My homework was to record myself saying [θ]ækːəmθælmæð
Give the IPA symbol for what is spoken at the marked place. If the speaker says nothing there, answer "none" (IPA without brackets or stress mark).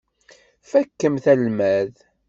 f